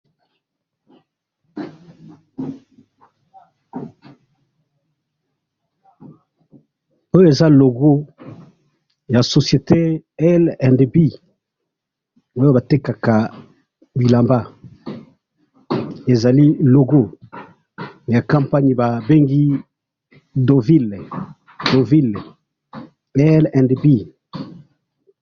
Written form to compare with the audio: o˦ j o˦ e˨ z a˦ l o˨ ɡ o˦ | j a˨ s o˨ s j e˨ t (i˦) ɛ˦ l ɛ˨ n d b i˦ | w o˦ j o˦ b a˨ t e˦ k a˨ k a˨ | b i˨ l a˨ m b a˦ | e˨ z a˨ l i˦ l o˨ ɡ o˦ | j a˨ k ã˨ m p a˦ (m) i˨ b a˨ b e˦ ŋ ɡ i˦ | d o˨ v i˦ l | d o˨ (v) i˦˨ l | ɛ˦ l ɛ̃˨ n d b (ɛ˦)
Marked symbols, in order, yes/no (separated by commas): no, no, yes, no